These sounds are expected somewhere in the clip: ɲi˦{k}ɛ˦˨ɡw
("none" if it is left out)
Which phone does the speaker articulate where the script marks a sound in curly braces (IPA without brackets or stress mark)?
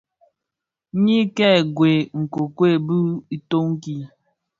k